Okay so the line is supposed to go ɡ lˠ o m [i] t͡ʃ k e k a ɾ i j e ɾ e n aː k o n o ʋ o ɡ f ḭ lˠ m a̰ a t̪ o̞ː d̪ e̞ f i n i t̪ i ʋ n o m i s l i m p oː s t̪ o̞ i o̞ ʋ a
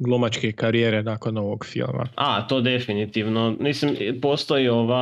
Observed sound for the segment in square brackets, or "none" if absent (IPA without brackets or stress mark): a